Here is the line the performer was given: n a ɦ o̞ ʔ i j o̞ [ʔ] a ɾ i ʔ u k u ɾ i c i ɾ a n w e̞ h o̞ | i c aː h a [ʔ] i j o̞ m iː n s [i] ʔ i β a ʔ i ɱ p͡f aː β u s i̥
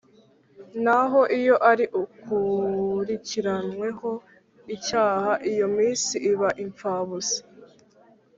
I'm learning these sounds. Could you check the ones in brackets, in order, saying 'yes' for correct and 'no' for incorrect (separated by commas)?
yes, yes, yes